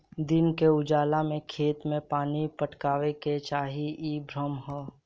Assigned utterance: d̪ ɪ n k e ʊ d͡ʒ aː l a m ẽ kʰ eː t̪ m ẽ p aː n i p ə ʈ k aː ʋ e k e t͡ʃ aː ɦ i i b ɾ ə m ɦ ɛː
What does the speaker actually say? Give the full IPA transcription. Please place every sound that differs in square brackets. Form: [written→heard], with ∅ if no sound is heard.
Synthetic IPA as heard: d̪ ɪ n k e ʊ d͡ʒ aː l a m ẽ kʰ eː t̪ m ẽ p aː n i p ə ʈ k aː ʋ e k e t͡ʃ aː ɦ i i b ɾ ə m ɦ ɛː